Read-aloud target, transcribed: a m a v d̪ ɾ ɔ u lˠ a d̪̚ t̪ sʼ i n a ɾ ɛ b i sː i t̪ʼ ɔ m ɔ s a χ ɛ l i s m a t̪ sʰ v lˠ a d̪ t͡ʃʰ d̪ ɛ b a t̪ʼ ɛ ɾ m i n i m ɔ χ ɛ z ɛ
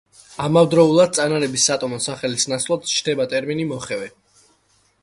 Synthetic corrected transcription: a m a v d̪ ɾ ɔ u lˠ a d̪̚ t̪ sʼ a n a ɾ ɛ b i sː a t̪ʼ ɔ m ɔ s a χ ɛ l i s n a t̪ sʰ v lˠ a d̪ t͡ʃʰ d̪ ɛ b a t̪ʼ ɛ ɾ m i n i m ɔ χ ɛ v ɛ